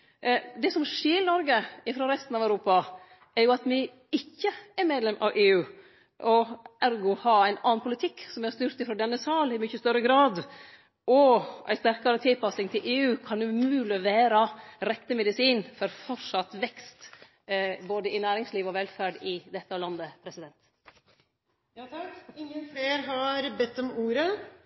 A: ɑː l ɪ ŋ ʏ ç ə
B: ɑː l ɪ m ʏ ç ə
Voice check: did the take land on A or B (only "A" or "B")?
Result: B